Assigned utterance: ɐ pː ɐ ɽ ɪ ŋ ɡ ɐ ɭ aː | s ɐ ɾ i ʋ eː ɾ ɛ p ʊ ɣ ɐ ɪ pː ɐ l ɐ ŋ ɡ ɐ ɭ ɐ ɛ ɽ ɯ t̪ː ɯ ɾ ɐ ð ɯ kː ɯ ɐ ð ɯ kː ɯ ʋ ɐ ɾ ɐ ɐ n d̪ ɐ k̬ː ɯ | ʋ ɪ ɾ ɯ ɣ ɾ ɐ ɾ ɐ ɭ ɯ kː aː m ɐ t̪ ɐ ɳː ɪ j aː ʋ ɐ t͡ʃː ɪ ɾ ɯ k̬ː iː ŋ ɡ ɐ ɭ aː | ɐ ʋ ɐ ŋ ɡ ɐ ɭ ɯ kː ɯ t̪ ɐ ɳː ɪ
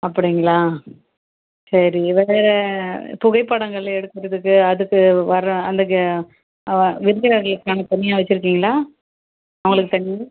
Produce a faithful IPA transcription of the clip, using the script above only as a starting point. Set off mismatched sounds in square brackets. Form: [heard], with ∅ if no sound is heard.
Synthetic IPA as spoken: ɐ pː ɐ ɽ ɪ ŋ ɡ ɐ ɭ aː | s ɐ ɾ i ʋ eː ɾ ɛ p ʊ ɣ ɐ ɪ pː ɐ [ɽ] ɐ ŋ ɡ ɐ ɭ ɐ ɛ ɽ ɯ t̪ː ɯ ɾ ɐ ð ɯ kː ɯ ɐ ð ɯ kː ɯ ʋ ɐ ɾ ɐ ɐ n d̪ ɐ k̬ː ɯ | ʋ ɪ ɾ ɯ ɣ ɾ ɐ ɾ ɐ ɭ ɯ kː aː [n] ɐ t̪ ɐ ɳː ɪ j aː ʋ ɐ t͡ʃː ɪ ɾ ɯ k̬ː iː ŋ ɡ ɐ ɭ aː | ɐ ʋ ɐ ŋ ɡ ɐ ɭ ɯ kː ɯ t̪ ɐ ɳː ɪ